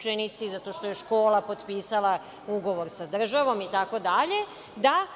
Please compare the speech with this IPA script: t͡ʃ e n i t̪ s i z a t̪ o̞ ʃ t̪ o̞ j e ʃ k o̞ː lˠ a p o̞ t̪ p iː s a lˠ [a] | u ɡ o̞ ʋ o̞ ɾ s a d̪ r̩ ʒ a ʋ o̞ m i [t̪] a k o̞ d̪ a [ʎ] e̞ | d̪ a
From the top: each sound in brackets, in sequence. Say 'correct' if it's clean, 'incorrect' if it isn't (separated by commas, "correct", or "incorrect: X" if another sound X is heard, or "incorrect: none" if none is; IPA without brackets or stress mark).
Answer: correct, correct, correct